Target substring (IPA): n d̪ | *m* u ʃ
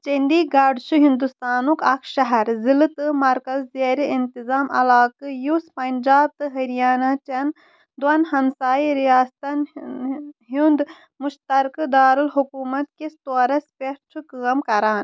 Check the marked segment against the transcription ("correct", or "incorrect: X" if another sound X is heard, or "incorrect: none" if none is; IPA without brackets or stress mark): correct